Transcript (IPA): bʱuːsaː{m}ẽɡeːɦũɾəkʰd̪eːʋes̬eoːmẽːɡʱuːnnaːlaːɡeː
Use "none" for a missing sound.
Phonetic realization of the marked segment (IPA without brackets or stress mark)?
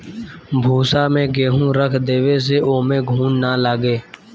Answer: m